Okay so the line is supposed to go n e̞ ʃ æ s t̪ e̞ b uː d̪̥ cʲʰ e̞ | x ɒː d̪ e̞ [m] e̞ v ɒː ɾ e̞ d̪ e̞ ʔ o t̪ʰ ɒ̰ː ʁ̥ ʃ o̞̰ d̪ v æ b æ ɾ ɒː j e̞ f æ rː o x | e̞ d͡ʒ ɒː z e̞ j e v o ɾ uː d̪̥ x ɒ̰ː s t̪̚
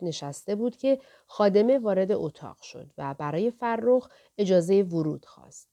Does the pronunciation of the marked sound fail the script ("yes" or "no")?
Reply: no